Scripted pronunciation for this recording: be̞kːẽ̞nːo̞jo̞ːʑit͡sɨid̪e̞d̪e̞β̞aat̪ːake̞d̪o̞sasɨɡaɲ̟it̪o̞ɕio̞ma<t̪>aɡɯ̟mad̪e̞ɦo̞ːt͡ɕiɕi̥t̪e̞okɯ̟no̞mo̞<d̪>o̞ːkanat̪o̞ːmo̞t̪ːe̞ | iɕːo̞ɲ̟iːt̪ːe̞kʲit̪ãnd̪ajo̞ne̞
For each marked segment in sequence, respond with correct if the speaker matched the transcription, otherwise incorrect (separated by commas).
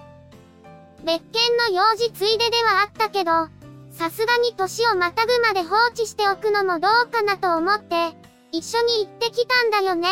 correct, correct